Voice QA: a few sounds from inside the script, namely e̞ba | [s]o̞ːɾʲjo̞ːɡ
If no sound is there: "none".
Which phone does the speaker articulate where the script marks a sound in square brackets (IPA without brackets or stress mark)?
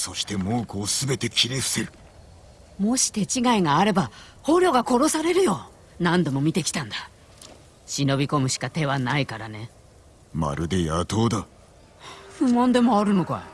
h